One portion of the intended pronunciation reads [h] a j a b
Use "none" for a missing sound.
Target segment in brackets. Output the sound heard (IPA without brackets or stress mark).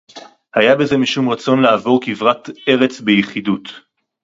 h